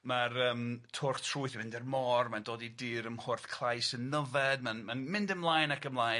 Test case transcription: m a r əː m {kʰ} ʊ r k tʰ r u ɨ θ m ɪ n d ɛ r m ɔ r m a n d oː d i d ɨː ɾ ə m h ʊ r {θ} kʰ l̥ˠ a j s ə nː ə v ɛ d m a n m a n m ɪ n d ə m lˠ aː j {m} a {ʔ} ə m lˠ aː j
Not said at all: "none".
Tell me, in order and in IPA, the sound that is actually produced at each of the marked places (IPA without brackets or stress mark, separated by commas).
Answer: tʰ, θ, n, k